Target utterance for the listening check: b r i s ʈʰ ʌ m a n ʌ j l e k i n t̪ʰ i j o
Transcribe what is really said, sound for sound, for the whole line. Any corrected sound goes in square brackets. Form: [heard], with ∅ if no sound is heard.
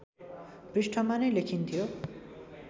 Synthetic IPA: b r i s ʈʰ ʌ m a n ʌ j l e [kʰ] i n t̪ʰ i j o